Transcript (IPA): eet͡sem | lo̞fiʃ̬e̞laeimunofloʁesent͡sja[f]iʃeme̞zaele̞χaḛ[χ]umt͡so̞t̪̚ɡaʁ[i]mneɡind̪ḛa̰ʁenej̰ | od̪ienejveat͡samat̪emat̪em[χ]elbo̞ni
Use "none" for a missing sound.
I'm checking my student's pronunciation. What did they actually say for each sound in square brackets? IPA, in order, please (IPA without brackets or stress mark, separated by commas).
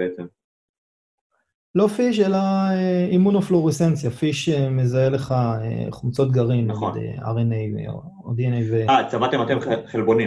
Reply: f, χ, i, χ